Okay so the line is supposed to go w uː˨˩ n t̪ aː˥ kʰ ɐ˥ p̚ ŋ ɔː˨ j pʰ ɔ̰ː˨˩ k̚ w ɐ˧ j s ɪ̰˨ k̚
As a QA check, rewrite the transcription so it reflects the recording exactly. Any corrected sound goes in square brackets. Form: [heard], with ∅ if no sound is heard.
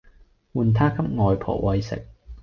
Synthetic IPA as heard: w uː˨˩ n [t̪ʰ] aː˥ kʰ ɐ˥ p̚ ŋ ɔː˨ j pʰ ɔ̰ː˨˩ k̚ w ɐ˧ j s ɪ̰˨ k̚

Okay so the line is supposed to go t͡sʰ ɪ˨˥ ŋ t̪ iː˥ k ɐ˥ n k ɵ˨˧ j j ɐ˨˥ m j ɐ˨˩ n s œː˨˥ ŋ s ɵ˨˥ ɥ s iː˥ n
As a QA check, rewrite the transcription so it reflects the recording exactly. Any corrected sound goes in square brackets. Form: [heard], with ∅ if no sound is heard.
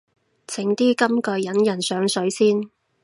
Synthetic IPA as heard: t͡sʰ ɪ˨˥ ŋ t̪ iː˥ k ɐ˥ [m] k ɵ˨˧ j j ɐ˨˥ [n] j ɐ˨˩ n s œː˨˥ ŋ s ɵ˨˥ ɥ s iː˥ n

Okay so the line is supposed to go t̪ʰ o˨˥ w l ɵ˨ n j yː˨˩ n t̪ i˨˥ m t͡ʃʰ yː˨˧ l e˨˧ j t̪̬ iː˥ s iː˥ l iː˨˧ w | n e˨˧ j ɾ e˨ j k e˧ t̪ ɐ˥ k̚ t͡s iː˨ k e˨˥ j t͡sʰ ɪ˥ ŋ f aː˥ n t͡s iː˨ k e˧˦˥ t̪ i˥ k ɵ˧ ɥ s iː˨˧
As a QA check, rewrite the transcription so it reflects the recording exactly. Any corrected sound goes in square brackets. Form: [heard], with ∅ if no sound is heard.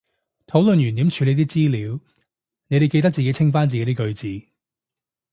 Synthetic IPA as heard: t̪ʰ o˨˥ w l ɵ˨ n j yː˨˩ n t̪ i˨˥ m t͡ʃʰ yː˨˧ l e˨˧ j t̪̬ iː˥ [t͡s] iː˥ l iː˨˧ w | n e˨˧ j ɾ e˨ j k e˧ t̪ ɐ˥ k̚ t͡s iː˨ k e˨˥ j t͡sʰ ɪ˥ ŋ f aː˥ n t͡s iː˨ k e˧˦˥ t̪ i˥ k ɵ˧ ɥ [t͡s] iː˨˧

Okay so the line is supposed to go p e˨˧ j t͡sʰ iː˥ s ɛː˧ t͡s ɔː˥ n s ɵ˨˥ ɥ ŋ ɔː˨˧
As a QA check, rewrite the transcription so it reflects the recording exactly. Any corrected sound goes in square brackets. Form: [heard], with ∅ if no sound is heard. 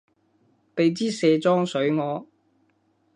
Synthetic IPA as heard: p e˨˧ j [t͡s] iː˥ s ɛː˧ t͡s ɔː˥ [ŋ] s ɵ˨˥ ɥ ŋ ɔː˨˧

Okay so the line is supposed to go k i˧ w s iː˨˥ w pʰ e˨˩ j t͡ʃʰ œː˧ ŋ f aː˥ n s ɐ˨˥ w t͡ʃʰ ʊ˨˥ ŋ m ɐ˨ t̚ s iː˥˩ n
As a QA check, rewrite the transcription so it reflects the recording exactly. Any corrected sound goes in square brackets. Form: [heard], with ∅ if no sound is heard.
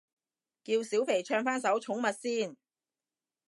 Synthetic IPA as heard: k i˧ w s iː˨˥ w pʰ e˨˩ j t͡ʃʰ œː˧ ŋ f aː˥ n s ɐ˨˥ w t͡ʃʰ ʊ˨˥ ŋ m ɐ˨ t̚ s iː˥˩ n

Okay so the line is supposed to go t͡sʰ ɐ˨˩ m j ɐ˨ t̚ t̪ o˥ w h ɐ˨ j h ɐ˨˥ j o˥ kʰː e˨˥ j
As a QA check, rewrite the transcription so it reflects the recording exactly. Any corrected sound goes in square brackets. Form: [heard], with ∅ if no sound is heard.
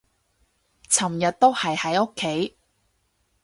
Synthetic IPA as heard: t͡sʰ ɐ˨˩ m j ɐ˨ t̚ t̪ o˥ w h ɐ˨ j h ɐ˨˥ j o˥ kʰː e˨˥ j

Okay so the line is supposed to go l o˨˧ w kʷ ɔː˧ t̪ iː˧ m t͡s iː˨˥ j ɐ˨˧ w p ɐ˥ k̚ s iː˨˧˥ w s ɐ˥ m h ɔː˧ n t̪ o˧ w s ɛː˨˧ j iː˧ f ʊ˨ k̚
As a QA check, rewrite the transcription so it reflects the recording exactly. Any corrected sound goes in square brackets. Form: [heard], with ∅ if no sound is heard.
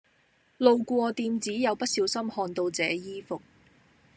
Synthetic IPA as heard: l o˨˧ w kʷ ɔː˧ t̪ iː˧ m t͡s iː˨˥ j ɐ˨˧ w p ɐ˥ [t̚] s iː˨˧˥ w s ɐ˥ m h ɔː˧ n t̪ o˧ w [t͡s] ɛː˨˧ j [iː˥] f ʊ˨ k̚

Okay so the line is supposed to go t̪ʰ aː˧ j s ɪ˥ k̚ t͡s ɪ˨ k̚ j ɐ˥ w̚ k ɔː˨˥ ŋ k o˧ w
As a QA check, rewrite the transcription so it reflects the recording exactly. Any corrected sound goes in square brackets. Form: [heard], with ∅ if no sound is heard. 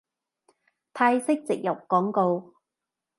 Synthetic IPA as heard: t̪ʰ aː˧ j s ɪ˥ k̚ t͡s ɪ˨ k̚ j [ɐ˨˩] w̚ k ɔː˨˥ ŋ k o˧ w

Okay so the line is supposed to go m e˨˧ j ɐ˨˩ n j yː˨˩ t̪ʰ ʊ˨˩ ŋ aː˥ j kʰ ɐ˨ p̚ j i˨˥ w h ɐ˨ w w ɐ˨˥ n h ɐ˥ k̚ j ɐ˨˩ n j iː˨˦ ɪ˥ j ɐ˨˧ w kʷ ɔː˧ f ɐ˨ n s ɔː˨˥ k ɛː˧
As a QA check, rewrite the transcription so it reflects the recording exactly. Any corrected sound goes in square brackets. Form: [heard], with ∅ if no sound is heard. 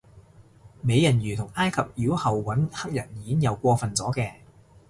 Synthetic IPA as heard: m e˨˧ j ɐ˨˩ n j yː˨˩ t̪ʰ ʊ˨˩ ŋ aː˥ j kʰ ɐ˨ p̚ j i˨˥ w h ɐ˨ w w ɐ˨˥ n h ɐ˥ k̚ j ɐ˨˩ n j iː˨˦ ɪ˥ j ɐ˨˧ w kʷ ɔː˧ f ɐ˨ n [t͡s] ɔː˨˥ k ɛː˧

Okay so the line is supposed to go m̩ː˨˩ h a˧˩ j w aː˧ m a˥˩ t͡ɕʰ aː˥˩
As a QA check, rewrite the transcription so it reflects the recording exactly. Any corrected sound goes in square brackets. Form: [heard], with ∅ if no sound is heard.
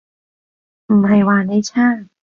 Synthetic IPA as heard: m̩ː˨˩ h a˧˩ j w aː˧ [n] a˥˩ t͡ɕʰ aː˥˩

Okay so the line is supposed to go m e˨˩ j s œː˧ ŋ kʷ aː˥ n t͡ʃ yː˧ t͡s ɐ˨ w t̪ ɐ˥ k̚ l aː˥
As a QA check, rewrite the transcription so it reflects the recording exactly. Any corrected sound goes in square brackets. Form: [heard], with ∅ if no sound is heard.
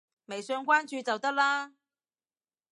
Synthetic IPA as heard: m e˨˩ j s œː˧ ŋ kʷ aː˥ n t͡ʃ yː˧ t͡s ɐ˨ w t̪ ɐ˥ k̚ l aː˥

